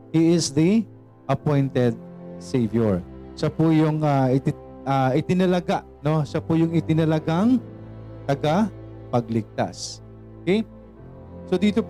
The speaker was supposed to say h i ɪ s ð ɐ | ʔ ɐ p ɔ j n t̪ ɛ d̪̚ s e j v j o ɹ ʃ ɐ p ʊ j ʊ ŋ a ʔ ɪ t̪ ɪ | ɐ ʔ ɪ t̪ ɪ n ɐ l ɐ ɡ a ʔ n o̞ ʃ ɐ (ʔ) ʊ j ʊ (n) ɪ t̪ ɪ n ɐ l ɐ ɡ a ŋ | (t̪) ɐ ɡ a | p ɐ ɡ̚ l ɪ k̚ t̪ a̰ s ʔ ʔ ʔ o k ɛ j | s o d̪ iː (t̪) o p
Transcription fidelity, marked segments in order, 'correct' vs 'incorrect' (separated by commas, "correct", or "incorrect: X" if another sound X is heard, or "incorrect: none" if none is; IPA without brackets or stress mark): incorrect: p, incorrect: ŋ, correct, correct